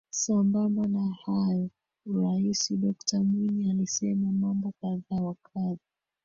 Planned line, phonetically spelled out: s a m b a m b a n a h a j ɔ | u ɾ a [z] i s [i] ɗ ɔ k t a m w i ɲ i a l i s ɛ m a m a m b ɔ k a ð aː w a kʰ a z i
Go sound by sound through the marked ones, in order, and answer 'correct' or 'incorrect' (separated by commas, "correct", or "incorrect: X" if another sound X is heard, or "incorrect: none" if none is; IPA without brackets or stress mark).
incorrect: none, correct